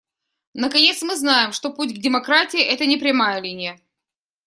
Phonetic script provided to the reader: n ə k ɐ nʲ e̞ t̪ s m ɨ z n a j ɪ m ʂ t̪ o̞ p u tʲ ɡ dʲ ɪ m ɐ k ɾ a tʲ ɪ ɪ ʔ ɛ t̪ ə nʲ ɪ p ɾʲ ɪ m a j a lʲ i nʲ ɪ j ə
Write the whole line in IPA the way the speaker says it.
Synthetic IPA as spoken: n ə k ɐ nʲ e̞ t̪ s m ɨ z n a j ɪ m ʂ t̪ o̞ p u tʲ ɡ dʲ ɪ m ɐ k ɾ a tʲ ɪ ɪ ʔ ɛ t̪ ə nʲ ɪ p ɾʲ ɪ m a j ə lʲ i nʲ ɪ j ə